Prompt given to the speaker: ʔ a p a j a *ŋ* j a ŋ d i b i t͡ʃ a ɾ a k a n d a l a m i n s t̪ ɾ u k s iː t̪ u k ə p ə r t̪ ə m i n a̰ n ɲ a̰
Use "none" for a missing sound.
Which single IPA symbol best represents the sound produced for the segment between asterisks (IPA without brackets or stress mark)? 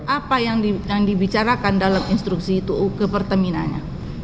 ŋ